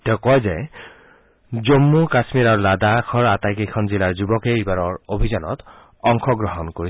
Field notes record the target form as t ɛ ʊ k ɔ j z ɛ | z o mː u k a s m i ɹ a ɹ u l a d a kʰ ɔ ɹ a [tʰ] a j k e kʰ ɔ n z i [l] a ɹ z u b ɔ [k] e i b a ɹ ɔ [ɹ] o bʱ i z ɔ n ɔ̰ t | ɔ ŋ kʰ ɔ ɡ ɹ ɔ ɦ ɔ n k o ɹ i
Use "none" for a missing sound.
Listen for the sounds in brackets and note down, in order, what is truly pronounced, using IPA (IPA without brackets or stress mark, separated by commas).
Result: t, l, k, ɹ